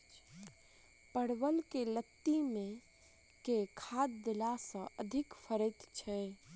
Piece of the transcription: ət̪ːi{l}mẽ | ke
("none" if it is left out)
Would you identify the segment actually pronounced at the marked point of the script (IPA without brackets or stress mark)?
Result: none